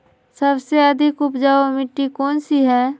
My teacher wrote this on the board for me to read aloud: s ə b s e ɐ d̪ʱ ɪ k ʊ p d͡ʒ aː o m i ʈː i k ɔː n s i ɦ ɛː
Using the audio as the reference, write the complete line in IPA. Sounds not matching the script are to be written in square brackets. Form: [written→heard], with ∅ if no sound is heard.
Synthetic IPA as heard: s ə b s e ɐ d̪ʱ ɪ k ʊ p d͡ʒ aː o m [i→ɪ] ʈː i k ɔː n s i ɦ ɛː